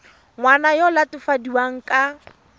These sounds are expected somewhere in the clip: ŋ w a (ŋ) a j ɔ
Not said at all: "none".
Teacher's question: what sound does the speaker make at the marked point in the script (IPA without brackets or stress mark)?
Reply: n